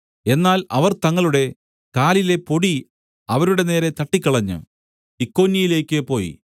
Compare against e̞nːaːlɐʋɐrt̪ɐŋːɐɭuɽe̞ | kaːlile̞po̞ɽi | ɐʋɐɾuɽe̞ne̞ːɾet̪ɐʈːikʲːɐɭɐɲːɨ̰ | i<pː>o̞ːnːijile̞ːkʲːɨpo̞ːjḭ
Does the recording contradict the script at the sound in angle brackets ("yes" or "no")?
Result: yes